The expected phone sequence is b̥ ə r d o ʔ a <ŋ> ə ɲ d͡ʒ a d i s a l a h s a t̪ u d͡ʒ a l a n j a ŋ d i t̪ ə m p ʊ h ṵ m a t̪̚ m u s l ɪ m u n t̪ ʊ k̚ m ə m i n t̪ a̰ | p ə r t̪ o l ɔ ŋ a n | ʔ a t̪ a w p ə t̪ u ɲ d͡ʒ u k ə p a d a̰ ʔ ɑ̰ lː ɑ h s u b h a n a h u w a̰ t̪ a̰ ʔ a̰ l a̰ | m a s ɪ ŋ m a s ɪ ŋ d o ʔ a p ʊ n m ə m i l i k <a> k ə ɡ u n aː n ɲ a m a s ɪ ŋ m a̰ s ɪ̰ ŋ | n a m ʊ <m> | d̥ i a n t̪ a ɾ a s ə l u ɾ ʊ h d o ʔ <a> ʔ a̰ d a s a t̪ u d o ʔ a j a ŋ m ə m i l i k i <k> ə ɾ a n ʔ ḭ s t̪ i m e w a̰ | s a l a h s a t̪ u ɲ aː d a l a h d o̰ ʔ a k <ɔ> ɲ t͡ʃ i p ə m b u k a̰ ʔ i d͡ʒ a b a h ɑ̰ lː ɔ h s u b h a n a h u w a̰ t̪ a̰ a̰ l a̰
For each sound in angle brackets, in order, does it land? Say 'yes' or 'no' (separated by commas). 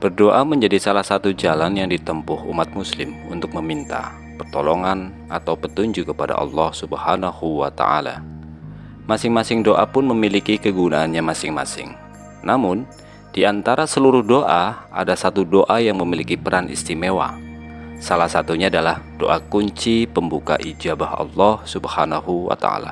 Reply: no, no, no, yes, no, no